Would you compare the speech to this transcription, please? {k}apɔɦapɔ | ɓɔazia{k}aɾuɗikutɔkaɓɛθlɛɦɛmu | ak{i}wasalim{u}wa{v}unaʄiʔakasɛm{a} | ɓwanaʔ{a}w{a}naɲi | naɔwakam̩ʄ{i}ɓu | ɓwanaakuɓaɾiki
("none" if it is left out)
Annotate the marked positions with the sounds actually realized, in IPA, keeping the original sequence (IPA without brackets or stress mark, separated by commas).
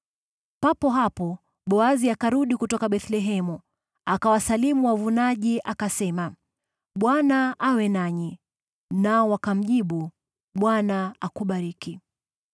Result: p, k, a, u, v, a, a, ɛ, i